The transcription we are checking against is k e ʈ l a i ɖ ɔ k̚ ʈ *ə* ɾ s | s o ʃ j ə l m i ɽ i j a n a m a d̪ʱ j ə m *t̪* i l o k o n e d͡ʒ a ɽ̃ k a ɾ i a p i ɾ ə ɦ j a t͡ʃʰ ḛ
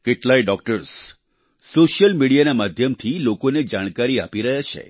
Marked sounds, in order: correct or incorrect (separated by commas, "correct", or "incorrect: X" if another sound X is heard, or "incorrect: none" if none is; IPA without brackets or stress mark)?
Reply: correct, incorrect: t̪ʰ